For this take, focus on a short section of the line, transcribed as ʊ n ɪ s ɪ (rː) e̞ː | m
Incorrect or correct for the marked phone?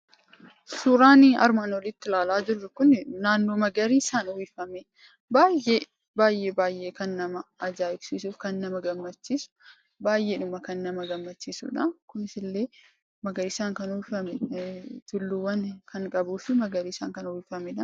incorrect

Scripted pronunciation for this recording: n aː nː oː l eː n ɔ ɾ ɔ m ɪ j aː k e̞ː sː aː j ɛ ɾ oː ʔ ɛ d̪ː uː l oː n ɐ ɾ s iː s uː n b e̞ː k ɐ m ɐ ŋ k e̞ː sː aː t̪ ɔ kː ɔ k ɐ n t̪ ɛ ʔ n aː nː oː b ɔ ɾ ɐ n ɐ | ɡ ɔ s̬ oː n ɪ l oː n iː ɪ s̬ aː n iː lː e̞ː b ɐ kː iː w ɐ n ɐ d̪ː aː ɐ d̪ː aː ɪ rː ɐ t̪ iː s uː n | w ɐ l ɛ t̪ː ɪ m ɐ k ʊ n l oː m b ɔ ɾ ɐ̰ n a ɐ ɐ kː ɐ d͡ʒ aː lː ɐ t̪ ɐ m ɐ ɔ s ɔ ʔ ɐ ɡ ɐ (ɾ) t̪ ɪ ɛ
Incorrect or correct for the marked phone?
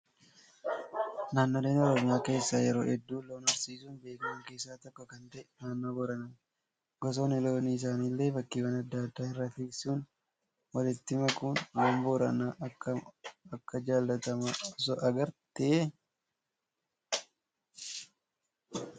correct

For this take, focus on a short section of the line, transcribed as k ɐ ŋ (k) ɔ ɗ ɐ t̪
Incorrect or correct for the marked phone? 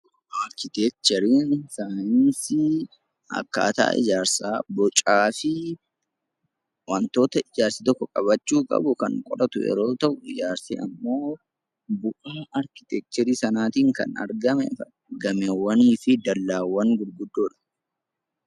incorrect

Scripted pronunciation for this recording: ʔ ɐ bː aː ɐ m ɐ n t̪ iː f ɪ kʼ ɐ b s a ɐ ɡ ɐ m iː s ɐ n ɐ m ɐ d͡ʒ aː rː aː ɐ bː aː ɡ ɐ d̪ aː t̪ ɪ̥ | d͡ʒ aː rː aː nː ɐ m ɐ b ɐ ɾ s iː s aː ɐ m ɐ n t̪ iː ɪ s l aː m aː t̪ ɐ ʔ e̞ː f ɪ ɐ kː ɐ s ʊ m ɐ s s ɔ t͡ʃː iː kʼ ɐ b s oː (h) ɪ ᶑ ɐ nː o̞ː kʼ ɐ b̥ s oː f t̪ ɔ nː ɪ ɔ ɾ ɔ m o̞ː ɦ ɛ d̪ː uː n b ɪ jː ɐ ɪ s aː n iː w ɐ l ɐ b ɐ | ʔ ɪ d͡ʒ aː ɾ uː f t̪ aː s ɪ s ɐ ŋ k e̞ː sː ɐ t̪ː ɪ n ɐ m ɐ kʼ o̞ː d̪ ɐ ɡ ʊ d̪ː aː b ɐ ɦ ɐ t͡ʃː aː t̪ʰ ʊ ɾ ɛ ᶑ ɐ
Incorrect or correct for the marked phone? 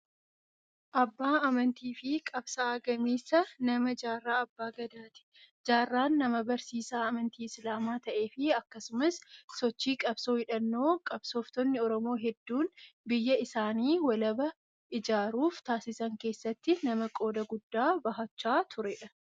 correct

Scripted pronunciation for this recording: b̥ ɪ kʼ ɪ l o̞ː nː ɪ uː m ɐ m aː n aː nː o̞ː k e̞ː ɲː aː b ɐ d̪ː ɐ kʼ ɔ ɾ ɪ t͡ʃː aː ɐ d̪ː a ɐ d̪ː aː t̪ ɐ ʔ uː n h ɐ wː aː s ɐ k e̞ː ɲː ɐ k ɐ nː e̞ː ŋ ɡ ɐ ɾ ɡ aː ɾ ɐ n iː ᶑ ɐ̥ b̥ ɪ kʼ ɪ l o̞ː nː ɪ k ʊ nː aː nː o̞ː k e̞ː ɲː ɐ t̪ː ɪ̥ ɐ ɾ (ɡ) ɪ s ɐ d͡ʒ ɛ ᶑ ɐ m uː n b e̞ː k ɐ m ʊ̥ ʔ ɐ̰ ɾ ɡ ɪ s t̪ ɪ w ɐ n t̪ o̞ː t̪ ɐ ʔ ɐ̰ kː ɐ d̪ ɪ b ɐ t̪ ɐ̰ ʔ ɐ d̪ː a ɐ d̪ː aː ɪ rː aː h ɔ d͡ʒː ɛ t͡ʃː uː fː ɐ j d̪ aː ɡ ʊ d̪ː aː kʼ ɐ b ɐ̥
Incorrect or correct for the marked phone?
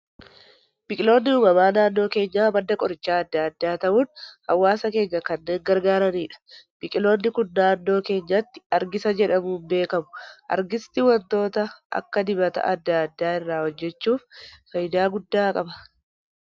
correct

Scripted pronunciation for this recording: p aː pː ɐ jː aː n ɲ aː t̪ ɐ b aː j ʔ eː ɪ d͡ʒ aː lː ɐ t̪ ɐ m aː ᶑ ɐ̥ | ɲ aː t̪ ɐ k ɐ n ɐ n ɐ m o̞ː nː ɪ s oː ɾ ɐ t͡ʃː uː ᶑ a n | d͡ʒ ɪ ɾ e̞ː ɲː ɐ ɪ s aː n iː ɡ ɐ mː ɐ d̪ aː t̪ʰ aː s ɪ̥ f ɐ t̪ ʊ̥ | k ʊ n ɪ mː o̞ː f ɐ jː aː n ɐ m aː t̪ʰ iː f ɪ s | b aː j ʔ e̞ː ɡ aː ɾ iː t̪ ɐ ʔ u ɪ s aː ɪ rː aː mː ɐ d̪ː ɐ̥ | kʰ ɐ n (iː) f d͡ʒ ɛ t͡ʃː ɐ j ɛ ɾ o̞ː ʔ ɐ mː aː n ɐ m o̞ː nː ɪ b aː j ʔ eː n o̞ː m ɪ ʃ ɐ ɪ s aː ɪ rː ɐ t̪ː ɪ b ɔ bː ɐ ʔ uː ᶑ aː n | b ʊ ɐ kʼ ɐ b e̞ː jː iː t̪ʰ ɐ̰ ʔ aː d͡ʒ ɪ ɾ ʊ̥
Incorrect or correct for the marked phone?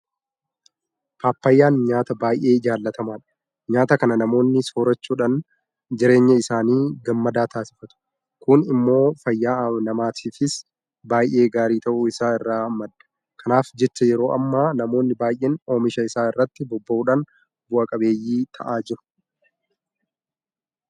incorrect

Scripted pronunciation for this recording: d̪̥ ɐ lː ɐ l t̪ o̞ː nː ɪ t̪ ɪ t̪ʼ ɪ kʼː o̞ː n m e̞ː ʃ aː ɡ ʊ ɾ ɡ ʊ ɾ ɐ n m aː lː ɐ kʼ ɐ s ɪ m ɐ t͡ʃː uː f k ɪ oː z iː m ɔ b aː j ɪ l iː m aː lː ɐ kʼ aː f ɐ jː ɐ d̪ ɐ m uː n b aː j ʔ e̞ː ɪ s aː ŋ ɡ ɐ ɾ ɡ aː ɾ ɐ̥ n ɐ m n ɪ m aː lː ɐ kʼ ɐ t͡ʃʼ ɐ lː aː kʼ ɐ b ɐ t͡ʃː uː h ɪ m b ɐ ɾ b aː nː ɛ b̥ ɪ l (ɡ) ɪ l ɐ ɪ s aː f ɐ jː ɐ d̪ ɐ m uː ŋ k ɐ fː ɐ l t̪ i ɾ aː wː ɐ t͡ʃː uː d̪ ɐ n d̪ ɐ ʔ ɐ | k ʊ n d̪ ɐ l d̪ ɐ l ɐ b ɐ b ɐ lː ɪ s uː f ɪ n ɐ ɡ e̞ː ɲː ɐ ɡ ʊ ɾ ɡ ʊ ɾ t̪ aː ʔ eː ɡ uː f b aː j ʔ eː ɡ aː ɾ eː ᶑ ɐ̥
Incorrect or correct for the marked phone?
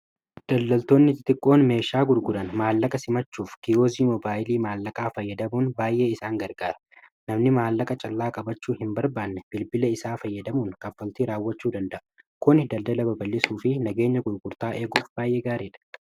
incorrect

